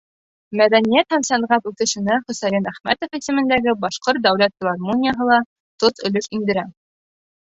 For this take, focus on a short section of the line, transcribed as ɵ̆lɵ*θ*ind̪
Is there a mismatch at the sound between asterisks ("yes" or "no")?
yes